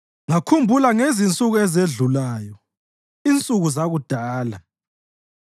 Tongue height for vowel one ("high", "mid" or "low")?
low